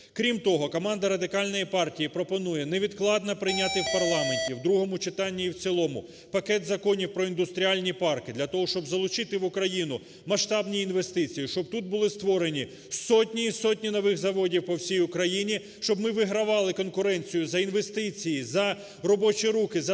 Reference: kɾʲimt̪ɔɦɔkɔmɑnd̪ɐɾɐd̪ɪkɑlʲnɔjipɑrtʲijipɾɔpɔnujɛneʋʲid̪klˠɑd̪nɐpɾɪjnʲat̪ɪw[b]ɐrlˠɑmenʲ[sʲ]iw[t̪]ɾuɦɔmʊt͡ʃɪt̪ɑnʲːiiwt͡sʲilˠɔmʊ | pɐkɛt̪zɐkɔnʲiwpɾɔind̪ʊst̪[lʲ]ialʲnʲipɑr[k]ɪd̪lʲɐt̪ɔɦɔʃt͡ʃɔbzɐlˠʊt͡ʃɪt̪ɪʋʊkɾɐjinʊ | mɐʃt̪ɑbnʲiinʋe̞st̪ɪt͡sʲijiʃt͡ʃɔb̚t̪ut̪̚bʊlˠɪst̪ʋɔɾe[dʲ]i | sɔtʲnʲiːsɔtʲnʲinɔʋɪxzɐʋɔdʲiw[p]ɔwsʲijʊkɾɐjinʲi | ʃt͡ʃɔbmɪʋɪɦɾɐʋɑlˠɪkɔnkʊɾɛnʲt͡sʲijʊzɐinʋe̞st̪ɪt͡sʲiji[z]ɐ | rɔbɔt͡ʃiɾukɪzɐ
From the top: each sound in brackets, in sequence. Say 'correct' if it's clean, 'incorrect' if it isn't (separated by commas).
incorrect, incorrect, incorrect, incorrect, correct, incorrect, correct, correct